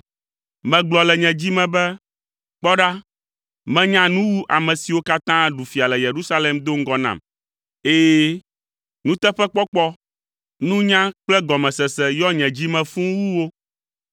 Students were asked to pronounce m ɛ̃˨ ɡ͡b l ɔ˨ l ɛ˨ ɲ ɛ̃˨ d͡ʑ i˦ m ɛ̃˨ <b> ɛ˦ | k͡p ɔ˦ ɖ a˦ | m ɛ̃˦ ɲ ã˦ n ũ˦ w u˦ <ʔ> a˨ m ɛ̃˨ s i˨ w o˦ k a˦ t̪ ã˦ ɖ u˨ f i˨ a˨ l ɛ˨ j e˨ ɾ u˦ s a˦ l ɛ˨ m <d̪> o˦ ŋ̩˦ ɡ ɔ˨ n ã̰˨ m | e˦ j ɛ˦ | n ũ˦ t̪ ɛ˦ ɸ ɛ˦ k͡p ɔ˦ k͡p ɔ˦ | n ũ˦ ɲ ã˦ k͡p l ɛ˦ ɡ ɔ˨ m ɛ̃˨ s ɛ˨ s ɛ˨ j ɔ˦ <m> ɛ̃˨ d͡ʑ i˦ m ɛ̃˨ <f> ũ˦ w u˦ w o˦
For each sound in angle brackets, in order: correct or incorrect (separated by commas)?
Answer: correct, correct, correct, incorrect, correct